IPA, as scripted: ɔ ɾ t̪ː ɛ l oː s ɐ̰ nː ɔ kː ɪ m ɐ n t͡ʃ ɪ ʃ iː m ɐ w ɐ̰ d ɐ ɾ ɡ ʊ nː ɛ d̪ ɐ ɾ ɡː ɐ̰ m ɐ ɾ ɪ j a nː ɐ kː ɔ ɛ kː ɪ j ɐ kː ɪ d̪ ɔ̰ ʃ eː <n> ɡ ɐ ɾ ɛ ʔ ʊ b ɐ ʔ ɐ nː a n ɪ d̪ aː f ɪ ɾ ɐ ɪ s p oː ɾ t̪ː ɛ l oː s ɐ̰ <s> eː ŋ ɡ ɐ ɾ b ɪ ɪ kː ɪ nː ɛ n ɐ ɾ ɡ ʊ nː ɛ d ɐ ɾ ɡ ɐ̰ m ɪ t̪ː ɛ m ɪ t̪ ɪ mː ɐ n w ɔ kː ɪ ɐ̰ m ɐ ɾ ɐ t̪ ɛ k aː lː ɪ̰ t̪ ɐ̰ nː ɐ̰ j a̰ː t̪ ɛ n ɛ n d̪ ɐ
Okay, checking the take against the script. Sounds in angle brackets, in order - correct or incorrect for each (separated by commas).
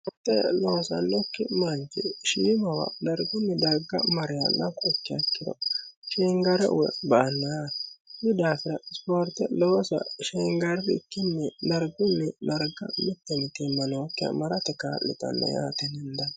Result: incorrect, incorrect